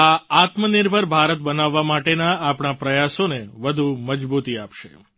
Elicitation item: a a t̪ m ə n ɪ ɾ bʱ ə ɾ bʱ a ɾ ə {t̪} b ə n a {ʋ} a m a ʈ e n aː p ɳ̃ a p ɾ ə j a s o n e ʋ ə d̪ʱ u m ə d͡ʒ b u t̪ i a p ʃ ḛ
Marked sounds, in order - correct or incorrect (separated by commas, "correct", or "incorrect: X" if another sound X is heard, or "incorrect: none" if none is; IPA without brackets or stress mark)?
correct, incorrect: ʋː